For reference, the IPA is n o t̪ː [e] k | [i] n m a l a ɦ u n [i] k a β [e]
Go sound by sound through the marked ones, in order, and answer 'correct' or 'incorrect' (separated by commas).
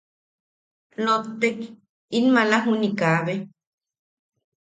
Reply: correct, correct, correct, correct